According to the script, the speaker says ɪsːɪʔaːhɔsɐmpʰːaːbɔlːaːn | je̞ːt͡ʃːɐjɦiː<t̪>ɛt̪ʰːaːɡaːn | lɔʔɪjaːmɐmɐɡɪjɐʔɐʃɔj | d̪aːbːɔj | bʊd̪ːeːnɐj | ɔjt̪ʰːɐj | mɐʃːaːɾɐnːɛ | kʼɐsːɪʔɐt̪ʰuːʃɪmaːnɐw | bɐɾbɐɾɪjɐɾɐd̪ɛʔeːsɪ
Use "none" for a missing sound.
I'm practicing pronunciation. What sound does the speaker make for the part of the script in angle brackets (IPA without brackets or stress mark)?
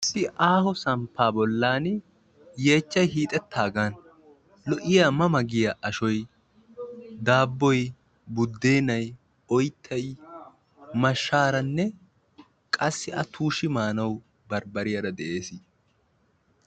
t̪ʼ